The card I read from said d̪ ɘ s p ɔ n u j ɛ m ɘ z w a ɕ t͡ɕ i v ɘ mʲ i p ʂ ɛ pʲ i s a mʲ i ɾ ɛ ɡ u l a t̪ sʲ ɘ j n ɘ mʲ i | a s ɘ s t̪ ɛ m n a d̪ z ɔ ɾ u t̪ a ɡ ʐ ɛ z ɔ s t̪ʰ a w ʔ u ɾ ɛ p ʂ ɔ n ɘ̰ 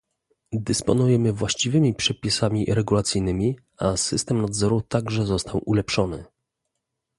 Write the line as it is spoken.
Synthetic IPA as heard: d̪ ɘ s p ɔ n u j ɛ m ɘ v w a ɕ t͡ɕ i v ɘ mʲ i p ʂ ɛ pʲ i s a mʲ i ɾ ɛ ɡ u l a t̪ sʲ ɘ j n ɘ mʲ i | a s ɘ s t̪ ɛ m n a d̪ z ɔ ɾ u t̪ a ɡ ʐ ɛ z ɔ s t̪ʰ a w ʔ u l ɛ p ʂ ɔ n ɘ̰